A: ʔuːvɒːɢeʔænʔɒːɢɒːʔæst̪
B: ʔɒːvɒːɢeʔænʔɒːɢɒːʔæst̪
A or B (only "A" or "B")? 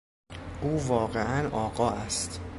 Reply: A